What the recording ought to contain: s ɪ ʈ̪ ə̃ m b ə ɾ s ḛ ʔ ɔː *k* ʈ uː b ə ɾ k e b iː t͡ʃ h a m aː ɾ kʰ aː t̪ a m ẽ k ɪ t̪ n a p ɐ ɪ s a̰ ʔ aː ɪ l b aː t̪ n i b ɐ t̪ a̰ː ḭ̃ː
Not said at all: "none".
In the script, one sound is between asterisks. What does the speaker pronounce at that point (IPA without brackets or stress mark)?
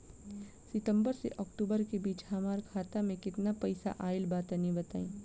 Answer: k